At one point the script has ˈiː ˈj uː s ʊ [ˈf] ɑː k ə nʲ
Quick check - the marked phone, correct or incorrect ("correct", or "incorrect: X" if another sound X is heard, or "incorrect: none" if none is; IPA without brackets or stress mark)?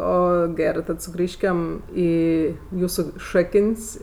incorrect: ʃ